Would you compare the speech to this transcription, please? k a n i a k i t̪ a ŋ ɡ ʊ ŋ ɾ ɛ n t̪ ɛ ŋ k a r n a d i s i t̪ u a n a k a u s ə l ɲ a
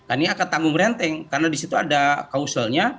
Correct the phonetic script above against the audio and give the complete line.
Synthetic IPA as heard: k a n i a k a t̪ a ŋ ɡ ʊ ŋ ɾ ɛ n t̪ ɛ ŋ k a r n a d i s i t̪ u a d a k a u s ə l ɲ a